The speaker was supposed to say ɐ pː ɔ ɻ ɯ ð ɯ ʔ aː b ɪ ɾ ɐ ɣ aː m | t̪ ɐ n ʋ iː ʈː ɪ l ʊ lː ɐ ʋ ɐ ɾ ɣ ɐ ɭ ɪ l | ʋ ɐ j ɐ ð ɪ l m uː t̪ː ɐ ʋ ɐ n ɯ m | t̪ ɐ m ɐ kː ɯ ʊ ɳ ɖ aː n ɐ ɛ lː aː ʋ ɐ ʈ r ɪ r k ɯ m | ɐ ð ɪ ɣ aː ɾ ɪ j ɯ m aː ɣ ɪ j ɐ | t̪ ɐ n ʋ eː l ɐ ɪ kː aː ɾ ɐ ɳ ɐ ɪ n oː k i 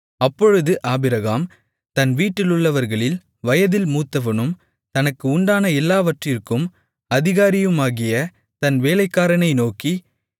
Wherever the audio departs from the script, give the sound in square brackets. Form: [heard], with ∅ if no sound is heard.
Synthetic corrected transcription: ɐ pː ɔ ɻ ɯ ð ɯ ʔ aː b ɪ ɾ ɐ ɣ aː m | t̪ ɐ n ʋ iː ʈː ɪ l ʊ [ɭː] ɐ ʋ ɐ ɾ ɣ ɐ ɭ ɪ l | ʋ ɐ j ɐ ð ɪ l m uː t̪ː ɐ ʋ ɐ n ɯ m | t̪ ɐ [n] ɐ kː ɯ ʊ ɳ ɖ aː n ɐ ɛ lː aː ʋ ɐ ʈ r ɪ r k ɯ m | ɐ ð ɪ ɣ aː ɾ ɪ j ɯ m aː ɣ ɪ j ɐ | t̪ ɐ n ʋ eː l ɐ ɪ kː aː ɾ ɐ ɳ ɐ ɪ n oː k i